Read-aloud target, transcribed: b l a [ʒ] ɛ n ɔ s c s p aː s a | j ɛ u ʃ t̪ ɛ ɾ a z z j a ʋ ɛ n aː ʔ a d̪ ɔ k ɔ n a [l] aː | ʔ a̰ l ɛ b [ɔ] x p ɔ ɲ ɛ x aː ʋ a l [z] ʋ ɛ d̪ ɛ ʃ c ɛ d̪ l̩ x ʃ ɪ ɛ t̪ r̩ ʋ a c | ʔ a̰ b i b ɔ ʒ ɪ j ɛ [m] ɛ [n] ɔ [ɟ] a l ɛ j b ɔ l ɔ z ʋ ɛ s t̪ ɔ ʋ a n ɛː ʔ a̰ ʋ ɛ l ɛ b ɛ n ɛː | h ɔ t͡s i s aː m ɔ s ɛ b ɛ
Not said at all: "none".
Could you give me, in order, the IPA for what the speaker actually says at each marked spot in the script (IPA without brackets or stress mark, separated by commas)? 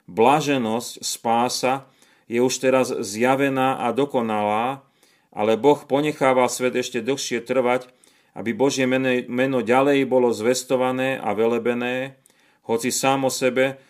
ʒ, l, ɔ, s, m, n, ɟ